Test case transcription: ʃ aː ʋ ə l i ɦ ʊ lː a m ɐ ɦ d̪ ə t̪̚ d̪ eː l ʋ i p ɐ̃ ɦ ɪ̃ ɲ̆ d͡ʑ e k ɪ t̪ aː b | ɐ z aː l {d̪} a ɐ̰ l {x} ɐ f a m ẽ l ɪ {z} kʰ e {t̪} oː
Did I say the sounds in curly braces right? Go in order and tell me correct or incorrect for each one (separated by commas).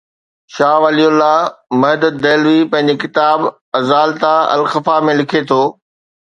incorrect, correct, incorrect, incorrect